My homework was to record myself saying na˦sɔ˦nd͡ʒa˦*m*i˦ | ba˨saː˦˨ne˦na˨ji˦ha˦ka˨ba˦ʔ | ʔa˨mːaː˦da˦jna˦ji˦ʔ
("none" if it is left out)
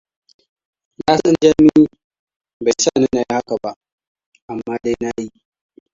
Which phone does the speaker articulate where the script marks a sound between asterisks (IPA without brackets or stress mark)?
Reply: m